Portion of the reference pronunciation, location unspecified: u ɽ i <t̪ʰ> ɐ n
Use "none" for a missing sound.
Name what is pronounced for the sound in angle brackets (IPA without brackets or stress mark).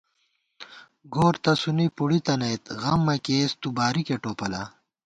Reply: t̪